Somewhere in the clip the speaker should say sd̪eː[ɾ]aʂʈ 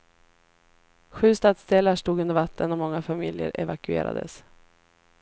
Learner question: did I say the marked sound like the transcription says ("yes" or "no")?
no